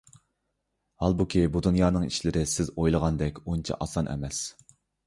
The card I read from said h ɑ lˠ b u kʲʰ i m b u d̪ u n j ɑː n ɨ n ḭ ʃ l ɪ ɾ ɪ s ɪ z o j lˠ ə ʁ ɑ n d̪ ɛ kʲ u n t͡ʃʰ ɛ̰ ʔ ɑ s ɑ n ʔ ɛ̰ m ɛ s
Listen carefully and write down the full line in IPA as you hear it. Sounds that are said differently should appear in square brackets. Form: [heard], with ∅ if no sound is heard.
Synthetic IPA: h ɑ lˠ b u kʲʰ i [∅] b u d̪ u n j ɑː n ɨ [ŋ] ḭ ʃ l ɪ ɾ ɪ s ɪ z o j lˠ ə ʁ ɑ n d̪ ɛ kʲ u n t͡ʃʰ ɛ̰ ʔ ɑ s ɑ n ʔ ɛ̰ m ɛ s